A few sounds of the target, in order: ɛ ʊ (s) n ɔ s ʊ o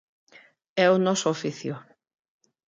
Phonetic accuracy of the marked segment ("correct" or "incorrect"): incorrect